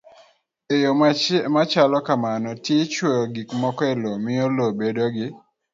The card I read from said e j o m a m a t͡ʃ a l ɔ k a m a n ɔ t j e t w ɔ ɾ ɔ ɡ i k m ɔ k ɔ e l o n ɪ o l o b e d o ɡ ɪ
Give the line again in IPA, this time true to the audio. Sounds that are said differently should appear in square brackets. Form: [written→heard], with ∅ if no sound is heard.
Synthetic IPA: e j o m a m a t͡ʃ a l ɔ k a m a n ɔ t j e [t→t͡ʃ] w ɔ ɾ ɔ ɡ i k m ɔ k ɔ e l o [n→m] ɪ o l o b e d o ɡ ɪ